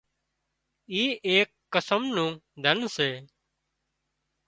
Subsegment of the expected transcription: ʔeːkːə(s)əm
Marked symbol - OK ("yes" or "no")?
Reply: yes